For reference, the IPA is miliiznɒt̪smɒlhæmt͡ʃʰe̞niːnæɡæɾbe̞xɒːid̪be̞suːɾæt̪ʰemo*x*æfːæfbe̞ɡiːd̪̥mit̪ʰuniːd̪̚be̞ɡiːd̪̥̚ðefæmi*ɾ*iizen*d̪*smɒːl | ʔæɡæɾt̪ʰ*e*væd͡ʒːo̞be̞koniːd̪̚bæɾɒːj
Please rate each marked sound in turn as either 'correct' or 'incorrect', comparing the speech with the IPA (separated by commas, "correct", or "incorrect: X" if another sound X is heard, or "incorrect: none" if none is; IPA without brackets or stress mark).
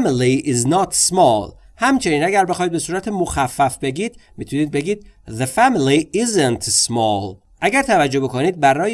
correct, incorrect: l, incorrect: t̪, incorrect: æ